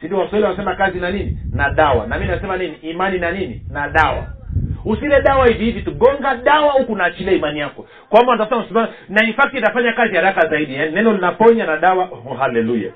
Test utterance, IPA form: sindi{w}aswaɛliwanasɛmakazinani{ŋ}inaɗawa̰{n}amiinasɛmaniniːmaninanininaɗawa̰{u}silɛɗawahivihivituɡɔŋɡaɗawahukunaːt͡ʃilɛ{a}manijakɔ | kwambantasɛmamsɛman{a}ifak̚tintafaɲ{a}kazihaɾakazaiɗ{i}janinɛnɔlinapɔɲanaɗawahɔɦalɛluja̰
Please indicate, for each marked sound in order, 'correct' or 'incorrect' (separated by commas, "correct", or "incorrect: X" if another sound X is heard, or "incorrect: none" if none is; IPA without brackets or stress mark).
correct, incorrect: n, correct, correct, incorrect: i, correct, correct, correct